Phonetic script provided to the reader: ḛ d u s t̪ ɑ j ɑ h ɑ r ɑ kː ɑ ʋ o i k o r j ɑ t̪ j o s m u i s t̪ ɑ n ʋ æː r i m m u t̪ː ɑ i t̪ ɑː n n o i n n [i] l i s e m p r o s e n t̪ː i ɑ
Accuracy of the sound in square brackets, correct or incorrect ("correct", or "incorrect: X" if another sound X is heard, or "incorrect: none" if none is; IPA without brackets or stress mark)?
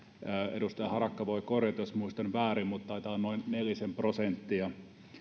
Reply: incorrect: e